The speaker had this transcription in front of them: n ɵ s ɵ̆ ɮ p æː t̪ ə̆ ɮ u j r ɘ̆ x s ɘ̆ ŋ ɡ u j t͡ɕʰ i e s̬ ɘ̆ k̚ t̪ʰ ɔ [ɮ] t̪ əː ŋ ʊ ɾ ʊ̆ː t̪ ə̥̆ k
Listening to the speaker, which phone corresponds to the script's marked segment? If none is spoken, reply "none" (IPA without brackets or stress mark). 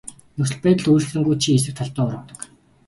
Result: ɮ